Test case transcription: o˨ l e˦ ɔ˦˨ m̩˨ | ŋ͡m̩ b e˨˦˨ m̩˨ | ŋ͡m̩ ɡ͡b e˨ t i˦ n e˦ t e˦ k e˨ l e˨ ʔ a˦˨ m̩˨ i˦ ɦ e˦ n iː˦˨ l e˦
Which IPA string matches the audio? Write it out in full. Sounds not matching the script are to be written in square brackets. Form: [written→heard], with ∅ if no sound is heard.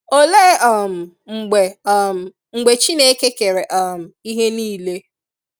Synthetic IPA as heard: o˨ l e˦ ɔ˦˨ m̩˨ | ŋ͡m̩ [b→ɡ͡b] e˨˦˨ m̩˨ | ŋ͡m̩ ɡ͡b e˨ [t→t͡ʃ] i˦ n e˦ [t→k] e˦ k e˨ [l→ɾ] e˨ ʔ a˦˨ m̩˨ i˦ ɦ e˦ n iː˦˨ l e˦

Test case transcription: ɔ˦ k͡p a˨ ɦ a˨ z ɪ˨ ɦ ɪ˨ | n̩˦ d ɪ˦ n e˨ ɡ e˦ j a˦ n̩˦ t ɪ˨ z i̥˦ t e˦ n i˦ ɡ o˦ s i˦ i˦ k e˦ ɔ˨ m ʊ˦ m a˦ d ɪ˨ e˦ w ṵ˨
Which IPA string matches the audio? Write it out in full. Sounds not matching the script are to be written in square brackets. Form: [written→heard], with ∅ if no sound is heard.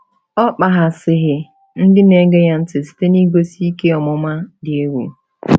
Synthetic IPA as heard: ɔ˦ k͡p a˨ ɦ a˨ [z→s] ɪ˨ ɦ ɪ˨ | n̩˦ d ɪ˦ n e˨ ɡ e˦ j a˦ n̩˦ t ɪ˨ [z→s] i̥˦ t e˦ n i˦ ɡ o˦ s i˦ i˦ k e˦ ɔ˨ m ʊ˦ m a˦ d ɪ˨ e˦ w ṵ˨

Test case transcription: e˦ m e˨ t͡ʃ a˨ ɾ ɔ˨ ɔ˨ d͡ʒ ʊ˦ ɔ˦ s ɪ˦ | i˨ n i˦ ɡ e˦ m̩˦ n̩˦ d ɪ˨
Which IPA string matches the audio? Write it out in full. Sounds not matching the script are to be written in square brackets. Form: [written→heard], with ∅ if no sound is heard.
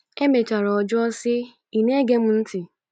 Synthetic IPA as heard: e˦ m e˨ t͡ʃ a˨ ɾ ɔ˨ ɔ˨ d͡ʒ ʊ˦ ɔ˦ s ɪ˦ | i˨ n [i˦→e˦] ɡ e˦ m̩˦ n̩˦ [d→t] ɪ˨

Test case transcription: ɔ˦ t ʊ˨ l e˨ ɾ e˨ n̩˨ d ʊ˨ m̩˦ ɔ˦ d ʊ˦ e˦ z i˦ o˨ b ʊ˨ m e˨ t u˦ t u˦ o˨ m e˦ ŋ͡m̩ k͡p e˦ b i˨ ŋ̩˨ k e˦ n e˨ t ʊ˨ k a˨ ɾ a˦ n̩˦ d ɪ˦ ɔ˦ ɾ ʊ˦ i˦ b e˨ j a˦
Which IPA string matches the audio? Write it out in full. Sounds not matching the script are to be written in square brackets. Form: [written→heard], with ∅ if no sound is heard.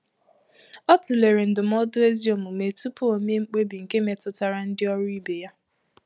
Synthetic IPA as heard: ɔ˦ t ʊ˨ l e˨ ɾ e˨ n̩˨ d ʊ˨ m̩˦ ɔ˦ d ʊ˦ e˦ z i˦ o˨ [b→m] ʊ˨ m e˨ t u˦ [t→p] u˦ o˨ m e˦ ŋ͡m̩ k͡p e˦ b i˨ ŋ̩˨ k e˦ [n→m] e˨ t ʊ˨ [k→t] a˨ ɾ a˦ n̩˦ d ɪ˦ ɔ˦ ɾ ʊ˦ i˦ b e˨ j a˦

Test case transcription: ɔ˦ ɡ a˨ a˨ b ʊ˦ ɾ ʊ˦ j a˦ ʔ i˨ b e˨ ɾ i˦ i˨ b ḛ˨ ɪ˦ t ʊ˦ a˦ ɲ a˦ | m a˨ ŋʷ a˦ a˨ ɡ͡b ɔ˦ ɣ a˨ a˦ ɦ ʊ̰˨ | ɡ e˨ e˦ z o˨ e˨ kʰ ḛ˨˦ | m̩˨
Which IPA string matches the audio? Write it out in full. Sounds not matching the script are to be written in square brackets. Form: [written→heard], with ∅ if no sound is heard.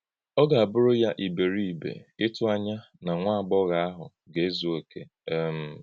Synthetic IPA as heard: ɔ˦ ɡ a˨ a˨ b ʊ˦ ɾ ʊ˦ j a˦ ʔ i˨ b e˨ ɾ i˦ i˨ b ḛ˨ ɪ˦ t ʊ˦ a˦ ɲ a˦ | [m→n] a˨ ŋʷ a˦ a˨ ɡ͡b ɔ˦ ɣ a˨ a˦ ɦ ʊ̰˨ | ɡ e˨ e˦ z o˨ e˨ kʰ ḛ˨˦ | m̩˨

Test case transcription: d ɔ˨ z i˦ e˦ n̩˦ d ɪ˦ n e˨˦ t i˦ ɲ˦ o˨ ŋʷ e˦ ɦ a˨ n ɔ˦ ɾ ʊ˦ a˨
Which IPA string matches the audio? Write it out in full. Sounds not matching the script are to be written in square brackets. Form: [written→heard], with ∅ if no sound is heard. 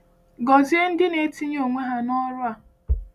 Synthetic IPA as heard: [d→ɡ] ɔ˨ z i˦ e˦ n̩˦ d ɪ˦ n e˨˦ t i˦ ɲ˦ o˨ ŋʷ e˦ ɦ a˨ n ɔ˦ ɾ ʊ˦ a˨

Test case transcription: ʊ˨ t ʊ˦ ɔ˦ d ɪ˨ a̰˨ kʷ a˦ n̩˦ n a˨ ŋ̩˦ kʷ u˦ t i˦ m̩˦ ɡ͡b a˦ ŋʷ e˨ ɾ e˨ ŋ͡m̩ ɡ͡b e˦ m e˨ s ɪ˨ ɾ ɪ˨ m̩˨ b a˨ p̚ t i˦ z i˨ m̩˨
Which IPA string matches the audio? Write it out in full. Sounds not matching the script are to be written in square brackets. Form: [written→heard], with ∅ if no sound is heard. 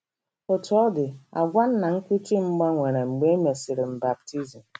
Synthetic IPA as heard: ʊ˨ t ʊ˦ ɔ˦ d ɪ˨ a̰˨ [kʷ→ɡʷ] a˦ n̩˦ n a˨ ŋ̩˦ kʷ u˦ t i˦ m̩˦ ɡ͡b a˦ ŋʷ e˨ ɾ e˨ ŋ͡m̩ ɡ͡b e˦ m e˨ s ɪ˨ ɾ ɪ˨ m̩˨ b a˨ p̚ t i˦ z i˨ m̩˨

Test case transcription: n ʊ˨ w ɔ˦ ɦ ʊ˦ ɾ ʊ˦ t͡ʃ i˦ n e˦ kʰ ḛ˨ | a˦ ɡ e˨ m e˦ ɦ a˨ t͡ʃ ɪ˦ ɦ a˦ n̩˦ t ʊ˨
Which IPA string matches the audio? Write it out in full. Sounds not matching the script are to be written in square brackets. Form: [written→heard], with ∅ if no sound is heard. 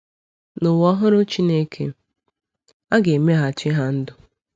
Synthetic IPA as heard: n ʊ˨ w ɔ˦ ɦ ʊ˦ ɾ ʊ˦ t͡ʃ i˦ n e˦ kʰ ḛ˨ | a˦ ɡ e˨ m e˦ ɦ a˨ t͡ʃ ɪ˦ ɦ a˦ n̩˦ [t→d] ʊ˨

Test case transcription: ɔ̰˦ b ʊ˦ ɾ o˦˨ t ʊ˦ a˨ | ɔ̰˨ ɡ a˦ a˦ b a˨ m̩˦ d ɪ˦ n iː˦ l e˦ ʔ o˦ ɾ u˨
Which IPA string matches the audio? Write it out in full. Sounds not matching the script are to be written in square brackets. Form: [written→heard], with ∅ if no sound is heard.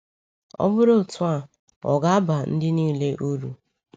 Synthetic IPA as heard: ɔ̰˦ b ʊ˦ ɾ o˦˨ t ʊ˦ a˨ | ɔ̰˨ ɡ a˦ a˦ b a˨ [m̩˦→n̩˦] d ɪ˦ n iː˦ l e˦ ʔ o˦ ɾ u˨

